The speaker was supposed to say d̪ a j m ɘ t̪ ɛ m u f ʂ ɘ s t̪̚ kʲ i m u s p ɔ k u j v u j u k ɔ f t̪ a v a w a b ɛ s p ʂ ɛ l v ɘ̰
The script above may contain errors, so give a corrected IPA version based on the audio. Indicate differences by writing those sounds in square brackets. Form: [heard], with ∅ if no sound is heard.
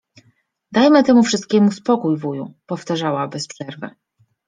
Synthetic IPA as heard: d̪ a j m ɘ t̪ ɛ m u f ʂ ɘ s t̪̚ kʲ [ɛ] m u s p ɔ k u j v u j u [p] ɔ f t̪ a [ʐ] a w a b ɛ s p ʂ ɛ [ɾ] v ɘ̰